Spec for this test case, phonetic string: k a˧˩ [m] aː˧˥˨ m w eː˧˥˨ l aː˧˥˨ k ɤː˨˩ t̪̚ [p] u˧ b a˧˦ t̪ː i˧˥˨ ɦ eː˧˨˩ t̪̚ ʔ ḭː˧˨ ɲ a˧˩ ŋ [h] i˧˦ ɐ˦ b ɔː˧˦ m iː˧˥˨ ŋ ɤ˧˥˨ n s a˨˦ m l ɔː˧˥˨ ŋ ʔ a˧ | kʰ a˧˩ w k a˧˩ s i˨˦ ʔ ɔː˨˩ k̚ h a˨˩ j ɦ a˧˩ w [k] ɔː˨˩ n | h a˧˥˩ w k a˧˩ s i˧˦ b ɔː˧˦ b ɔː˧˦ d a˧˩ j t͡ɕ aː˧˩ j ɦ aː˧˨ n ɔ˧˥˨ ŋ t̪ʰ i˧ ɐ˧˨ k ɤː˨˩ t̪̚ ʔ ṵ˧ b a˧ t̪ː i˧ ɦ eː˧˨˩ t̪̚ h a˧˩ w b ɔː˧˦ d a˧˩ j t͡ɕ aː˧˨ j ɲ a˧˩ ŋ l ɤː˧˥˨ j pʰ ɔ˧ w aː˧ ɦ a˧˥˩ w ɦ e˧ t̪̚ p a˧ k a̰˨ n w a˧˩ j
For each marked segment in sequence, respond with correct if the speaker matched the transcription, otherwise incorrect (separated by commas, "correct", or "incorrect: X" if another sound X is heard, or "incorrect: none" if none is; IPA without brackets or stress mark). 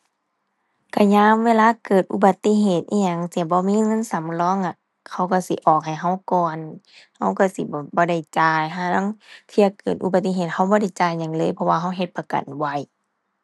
incorrect: ɲ, incorrect: ʔ, incorrect: s, correct